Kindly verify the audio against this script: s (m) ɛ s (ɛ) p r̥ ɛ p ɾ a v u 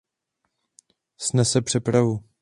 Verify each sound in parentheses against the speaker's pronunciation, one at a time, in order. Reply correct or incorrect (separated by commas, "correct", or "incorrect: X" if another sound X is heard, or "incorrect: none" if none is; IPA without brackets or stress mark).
incorrect: n, correct